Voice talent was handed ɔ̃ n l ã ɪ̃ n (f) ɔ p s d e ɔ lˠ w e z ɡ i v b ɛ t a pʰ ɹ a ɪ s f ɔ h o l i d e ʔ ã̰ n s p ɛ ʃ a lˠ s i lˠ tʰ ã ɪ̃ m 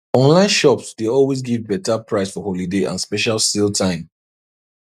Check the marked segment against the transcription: incorrect: ʃ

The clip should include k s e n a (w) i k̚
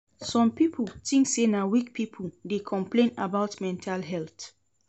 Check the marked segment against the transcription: correct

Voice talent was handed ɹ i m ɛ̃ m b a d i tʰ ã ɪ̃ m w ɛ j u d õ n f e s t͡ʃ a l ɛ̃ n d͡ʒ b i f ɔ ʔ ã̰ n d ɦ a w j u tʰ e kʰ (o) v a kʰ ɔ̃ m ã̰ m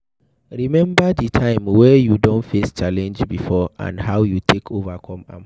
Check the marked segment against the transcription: correct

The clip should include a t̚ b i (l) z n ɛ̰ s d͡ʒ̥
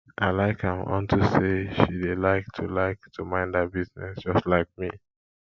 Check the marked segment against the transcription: incorrect: none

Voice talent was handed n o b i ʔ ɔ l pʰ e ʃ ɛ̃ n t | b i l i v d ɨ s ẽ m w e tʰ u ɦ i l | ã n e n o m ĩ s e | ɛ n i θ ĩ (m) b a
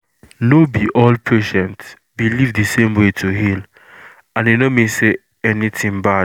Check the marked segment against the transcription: incorrect: ŋ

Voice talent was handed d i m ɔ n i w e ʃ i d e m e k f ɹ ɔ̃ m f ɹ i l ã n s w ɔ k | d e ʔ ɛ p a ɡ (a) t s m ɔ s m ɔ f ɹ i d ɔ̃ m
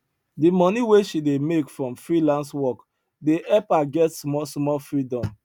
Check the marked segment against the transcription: incorrect: ɛ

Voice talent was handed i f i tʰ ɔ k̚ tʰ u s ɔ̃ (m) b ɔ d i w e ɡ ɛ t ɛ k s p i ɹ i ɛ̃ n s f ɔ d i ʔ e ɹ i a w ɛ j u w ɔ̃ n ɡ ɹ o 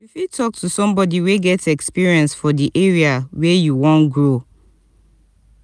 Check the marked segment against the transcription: correct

